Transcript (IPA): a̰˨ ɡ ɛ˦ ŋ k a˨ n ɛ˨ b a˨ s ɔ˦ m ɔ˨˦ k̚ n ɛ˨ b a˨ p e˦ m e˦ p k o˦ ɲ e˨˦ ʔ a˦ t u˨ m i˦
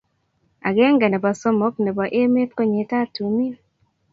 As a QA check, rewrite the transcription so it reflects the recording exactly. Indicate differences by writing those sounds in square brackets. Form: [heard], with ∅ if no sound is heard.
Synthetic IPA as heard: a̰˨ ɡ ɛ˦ ŋ [ɡ] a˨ n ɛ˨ b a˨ s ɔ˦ m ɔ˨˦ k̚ n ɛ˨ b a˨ [ʔ] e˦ m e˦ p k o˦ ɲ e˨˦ [t] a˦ t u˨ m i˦